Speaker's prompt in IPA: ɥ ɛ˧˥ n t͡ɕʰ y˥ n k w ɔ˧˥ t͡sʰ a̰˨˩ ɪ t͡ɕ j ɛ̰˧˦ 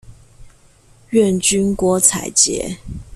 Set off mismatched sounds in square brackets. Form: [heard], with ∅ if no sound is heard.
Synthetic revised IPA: ɥ [ɛ˥˨] n [t͡ɕ] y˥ n k w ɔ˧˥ t͡sʰ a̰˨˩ ɪ t͡ɕ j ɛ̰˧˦